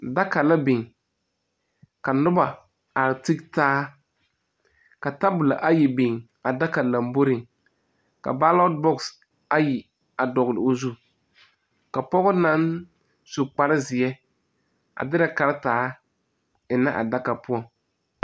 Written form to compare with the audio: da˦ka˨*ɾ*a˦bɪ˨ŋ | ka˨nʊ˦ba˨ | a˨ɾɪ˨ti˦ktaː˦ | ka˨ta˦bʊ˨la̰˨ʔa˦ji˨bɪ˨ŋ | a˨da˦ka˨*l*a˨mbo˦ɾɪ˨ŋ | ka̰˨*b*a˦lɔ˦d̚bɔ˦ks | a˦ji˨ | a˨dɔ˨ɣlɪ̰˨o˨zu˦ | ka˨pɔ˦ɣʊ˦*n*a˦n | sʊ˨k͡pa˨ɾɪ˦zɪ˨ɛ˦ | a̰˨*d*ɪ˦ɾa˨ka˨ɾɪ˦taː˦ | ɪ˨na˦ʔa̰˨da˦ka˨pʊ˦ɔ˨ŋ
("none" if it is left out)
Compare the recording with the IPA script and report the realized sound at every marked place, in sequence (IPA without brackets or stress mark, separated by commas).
l, l, b, n, d